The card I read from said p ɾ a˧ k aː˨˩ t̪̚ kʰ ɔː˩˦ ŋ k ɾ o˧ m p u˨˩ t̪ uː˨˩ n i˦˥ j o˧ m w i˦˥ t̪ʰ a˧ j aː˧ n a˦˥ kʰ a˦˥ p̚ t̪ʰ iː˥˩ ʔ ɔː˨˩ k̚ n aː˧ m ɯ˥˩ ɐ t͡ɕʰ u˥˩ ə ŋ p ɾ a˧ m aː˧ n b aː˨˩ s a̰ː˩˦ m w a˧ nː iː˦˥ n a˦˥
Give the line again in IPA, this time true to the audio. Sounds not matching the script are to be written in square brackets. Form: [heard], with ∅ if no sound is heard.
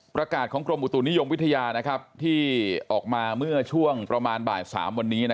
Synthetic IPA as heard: p ɾ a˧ k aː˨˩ t̪̚ kʰ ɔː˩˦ ŋ k ɾ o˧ m [ʔ] u˨˩ t̪ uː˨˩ n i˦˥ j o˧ m w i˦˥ t̪ʰ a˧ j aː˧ n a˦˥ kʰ a˦˥ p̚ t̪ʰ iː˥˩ ʔ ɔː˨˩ k̚ [m] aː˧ m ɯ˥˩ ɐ t͡ɕʰ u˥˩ ə ŋ p ɾ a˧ m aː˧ n b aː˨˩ s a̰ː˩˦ m w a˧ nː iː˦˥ n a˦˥